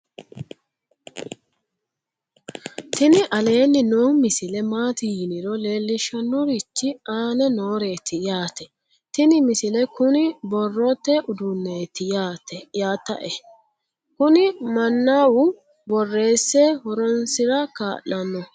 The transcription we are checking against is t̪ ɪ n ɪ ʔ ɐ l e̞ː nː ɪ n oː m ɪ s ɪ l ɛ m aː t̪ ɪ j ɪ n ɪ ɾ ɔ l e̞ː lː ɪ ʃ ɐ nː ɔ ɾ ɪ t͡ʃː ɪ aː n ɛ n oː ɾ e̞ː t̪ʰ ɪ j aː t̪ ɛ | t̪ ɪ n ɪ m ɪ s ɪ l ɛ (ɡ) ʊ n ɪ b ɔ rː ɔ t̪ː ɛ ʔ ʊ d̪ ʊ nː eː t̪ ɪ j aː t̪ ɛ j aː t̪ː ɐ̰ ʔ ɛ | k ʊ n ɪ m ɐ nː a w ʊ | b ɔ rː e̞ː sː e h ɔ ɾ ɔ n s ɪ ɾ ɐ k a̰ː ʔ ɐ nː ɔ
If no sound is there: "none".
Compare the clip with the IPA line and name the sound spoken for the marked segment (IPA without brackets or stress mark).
k